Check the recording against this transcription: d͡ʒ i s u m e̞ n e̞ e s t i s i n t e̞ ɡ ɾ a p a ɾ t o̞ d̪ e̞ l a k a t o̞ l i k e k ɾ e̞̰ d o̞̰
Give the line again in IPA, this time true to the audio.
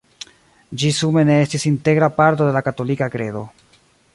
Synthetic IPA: d͡ʒ i s u m e̞ n e̞ e s t i s i n t e̞ ɡ ɾ a p a ɾ t o̞ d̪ e̞ l a k a t o̞ l i k a k ɾ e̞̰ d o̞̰